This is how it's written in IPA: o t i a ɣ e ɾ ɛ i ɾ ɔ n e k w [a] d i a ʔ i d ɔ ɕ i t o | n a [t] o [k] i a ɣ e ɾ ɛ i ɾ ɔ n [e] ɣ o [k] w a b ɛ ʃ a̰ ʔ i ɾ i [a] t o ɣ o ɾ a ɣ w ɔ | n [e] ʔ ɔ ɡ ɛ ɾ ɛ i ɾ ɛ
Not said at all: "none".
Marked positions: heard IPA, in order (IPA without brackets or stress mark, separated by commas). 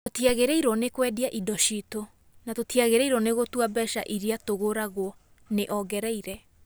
ɛ, t, t, e, t, a, e